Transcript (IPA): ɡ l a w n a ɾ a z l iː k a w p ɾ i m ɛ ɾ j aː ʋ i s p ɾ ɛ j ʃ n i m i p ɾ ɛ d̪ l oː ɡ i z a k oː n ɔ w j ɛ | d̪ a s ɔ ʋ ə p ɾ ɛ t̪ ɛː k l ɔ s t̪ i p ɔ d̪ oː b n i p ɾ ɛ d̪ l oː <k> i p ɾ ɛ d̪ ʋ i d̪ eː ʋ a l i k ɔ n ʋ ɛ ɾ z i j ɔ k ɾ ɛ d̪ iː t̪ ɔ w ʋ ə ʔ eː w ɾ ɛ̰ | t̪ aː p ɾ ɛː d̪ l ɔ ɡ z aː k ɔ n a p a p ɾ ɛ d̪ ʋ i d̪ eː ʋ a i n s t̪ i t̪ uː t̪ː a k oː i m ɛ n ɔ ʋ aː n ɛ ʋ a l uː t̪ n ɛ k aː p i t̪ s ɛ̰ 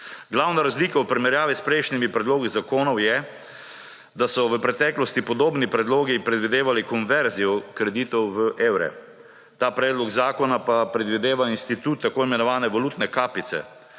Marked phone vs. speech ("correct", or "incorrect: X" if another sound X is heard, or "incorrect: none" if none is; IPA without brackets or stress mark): incorrect: ɡ